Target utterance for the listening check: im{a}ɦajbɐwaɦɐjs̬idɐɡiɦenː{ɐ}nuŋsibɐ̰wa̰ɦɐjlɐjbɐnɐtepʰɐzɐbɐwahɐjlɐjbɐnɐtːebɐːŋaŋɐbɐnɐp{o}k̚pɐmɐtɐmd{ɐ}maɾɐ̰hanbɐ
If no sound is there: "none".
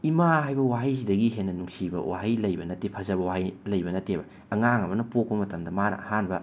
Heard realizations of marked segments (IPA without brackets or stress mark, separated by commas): a, ɐ, o, ɐ